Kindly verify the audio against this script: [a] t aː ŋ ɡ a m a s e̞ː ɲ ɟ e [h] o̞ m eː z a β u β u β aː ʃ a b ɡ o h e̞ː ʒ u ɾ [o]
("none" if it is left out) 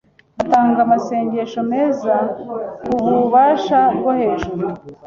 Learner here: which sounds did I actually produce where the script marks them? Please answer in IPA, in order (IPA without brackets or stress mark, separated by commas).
a, ʃ, u